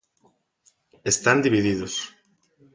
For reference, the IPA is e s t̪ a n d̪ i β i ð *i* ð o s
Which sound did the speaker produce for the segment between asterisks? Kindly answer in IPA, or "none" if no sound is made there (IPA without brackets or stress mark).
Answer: i